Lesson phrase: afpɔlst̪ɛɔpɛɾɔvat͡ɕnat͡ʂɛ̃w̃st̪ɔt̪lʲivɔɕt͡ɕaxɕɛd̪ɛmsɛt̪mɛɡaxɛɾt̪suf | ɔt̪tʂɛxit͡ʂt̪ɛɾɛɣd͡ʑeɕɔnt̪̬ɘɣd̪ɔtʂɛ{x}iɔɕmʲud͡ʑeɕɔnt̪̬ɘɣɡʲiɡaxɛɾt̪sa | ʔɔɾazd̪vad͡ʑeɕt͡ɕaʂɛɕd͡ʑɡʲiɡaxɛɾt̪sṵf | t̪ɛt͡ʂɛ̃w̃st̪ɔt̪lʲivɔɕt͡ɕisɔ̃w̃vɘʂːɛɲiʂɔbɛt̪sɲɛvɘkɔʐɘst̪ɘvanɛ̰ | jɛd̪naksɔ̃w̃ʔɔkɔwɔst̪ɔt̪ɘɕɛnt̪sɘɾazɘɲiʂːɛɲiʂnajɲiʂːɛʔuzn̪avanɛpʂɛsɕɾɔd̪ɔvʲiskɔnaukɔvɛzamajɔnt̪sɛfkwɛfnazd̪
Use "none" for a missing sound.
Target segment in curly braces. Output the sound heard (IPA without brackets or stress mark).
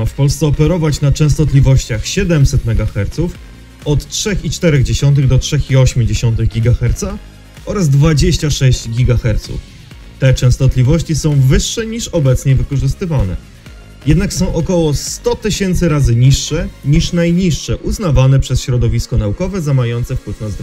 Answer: x